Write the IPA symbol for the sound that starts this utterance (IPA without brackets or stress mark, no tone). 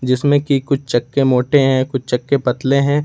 d͡ʒ